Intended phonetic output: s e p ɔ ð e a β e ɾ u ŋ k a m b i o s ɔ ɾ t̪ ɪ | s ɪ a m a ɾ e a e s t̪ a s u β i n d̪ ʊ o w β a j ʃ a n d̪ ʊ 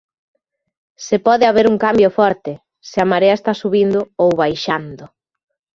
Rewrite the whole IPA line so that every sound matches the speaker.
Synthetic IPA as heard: s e p ɔ ð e a β e ɾ u ŋ k a m b j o f ɔ ɾ t̪ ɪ | s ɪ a m a ɾ e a e s t̪ a s u β i n d̪ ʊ o w β a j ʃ a n d̪ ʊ